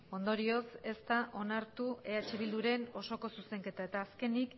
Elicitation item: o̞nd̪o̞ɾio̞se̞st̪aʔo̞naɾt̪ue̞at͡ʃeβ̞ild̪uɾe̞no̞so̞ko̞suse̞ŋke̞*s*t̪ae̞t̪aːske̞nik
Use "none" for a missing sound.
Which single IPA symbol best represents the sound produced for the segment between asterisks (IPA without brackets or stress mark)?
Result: none